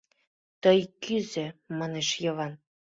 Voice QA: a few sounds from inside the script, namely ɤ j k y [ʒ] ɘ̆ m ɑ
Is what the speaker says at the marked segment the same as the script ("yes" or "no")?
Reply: no